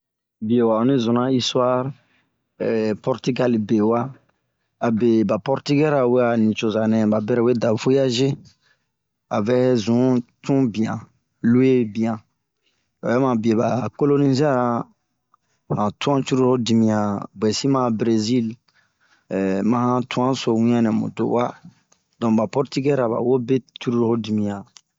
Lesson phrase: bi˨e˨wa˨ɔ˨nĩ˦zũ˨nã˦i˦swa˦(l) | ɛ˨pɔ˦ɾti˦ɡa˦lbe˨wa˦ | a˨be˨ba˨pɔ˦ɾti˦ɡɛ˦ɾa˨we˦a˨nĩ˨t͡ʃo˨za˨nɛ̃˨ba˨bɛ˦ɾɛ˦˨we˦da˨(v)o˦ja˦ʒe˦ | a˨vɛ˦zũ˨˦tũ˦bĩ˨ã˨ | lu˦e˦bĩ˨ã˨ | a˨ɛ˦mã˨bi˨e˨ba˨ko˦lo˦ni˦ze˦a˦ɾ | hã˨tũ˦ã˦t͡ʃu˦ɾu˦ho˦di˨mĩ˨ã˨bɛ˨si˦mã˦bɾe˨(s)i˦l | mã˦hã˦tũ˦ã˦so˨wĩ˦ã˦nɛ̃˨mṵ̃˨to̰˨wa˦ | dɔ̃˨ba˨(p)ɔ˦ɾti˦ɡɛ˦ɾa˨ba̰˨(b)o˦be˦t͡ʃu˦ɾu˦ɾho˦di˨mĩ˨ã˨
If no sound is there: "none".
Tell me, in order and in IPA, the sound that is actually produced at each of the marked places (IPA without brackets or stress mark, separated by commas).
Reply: ɾ, v, z, p, w